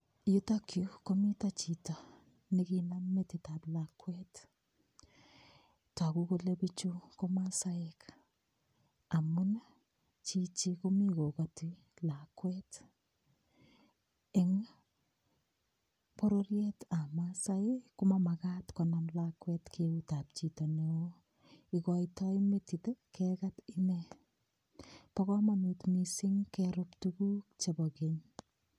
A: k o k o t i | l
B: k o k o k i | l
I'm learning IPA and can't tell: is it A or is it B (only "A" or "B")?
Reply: A